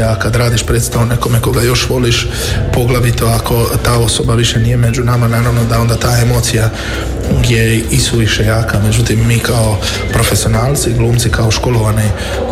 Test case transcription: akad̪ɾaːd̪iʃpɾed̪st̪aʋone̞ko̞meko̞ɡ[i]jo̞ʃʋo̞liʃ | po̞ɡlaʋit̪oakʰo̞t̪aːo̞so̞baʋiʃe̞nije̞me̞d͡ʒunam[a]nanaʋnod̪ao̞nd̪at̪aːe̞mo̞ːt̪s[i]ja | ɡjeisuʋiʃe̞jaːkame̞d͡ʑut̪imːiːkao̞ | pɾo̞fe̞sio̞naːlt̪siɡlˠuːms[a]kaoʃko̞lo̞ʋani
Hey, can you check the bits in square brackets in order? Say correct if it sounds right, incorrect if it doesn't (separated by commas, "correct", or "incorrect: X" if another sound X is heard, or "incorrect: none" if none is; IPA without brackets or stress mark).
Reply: incorrect: a, correct, correct, incorrect: i